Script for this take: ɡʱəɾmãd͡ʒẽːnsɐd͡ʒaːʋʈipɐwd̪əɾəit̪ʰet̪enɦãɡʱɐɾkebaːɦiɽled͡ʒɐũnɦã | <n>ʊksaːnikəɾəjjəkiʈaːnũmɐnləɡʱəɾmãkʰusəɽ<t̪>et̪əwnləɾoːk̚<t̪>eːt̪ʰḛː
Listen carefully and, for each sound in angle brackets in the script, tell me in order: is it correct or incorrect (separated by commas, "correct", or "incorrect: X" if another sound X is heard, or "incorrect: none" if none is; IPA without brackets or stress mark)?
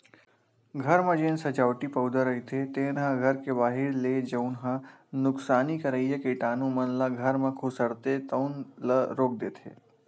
correct, correct, incorrect: d̪